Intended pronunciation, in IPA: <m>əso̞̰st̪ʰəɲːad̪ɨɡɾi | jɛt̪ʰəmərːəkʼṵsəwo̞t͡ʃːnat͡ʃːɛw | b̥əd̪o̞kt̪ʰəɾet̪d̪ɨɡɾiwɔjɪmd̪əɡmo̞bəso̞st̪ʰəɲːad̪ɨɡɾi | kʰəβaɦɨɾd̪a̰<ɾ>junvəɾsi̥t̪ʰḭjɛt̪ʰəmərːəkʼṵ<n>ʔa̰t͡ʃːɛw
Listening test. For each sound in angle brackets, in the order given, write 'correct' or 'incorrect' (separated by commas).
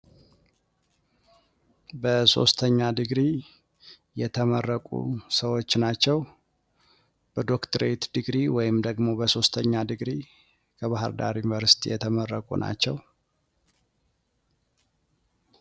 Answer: incorrect, correct, correct